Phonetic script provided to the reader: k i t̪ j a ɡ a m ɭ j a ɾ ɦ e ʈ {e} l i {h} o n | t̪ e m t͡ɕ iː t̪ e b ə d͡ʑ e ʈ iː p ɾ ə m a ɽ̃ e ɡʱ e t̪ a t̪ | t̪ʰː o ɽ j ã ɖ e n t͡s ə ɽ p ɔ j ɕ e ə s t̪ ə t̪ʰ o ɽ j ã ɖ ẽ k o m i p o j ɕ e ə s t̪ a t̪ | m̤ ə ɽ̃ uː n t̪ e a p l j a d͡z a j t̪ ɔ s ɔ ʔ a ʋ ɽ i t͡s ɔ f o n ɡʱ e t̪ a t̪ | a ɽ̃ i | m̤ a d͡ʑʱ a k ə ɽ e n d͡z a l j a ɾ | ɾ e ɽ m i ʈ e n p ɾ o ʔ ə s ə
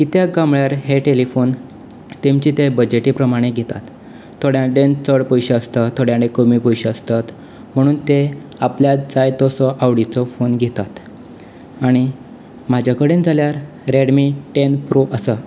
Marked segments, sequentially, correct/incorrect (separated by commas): correct, incorrect